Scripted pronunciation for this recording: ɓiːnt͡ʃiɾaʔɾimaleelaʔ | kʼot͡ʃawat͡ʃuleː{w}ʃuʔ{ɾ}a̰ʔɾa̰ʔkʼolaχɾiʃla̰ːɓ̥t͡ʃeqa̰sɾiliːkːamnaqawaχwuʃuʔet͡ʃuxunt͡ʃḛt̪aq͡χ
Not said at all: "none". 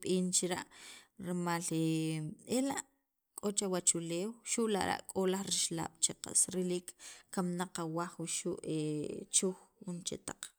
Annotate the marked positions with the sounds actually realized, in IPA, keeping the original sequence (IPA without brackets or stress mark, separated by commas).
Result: w, l